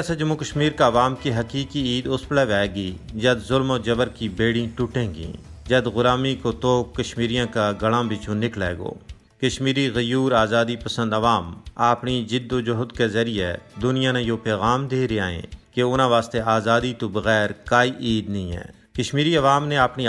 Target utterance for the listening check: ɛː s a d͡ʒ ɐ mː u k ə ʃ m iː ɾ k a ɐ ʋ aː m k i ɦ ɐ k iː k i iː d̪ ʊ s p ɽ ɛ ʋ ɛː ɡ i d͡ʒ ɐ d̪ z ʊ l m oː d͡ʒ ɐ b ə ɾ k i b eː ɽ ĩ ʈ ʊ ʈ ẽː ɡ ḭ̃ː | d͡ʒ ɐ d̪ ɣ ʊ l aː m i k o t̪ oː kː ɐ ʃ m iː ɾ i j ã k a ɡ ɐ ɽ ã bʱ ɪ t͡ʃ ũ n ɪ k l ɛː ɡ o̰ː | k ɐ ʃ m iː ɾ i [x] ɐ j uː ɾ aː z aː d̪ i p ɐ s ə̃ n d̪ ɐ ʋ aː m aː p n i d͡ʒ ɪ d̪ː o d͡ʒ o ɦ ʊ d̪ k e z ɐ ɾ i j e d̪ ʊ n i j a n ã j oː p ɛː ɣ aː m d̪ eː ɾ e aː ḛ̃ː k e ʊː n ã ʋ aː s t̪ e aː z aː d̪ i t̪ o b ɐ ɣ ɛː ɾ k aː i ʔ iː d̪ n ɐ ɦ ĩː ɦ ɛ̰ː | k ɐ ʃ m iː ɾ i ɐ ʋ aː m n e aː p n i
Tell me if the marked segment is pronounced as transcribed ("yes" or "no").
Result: no